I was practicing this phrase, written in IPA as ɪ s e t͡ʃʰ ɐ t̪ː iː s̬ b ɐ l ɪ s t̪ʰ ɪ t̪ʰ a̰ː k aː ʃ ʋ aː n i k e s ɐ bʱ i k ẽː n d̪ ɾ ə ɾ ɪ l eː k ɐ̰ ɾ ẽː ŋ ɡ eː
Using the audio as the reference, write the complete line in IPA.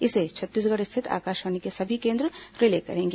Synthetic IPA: ɪ s e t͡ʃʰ ɐ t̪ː iː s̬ ɡ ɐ ɽ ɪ s t̪ʰ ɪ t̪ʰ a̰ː k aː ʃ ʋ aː n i k e s ɐ bʱ i k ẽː n d̪ ɾ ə ɾ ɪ l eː k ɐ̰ ɾ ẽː ŋ ɡ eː

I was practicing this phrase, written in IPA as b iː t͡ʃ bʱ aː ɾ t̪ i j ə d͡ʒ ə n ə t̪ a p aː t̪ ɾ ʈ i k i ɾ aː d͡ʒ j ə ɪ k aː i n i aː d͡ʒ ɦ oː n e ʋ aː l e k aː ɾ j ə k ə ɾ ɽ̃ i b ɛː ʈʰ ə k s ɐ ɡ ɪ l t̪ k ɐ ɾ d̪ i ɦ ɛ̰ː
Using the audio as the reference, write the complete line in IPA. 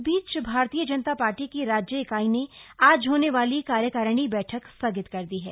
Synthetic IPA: b iː t͡ʃ bʱ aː ɾ t̪ i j ə d͡ʒ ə n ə t̪ a p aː ɾ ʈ i k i ɾ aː d͡ʒ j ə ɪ k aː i n e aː d͡ʒ ɦ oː n e ʋ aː l i k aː ɾ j ə k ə ɾ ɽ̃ i b ɛː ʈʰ ə k s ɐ ɡ ɪ t̪ k ɐ ɾ d̪ i ɦ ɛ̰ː

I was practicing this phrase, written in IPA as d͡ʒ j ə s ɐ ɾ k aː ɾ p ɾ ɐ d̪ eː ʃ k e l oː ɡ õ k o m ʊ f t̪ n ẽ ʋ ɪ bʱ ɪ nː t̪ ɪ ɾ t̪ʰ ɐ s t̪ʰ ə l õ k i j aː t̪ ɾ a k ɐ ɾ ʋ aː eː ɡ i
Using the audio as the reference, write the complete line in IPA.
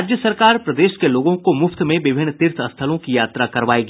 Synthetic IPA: d͡ʒ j ə s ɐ ɾ k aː ɾ p ɾ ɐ d̪ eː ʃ k e l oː ɡ õ k o m ʊ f t̪ m ẽ ʋ ɪ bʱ ɪ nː t̪ ɪ ɾ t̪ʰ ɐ s t̪ʰ ə l õ k i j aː t̪ ɾ a k ɐ ɾ ʋ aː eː ɡ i

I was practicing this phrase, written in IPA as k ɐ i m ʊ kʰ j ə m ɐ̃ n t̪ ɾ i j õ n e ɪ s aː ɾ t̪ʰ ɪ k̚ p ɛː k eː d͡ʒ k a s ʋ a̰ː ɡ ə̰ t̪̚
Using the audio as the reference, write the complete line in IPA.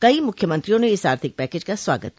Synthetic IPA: k ɐ i m ʊ kʰ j ə m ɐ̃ n t̪ ɾ i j õ n e ɪ s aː ɾ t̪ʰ ɪ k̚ p ɛː k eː d͡ʒ k a s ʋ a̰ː ɡ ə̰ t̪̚

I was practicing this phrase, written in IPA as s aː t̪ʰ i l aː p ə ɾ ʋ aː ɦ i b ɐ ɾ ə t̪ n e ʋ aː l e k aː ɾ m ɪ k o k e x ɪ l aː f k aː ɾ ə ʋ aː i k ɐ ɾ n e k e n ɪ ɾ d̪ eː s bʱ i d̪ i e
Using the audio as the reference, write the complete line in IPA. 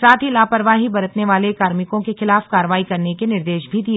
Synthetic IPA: s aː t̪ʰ i l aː p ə ɾ ʋ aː ɦ i b ɐ ɾ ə t̪ n e ʋ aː l e k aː ɾ m ɪ k õ k e x ɪ l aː f k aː ɾ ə ʋ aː i k ɐ ɾ n e k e n ɪ ɾ d̪ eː ʃ bʱ i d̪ i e

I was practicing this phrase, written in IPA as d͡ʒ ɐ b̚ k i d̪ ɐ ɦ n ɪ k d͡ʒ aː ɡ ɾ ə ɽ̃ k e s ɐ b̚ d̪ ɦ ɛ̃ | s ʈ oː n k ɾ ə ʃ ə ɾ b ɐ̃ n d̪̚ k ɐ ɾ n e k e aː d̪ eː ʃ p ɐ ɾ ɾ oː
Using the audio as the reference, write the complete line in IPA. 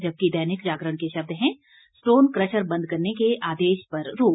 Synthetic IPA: d͡ʒ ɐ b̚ k i d̪ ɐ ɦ n ɪ k d͡ʒ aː ɡ ɾ ə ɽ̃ k e ʃ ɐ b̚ d̪ ɦ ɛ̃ | s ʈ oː n k ɾ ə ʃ ə ɾ b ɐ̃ n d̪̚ k ɐ ɾ n e k e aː d̪ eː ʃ p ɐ ɾ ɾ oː

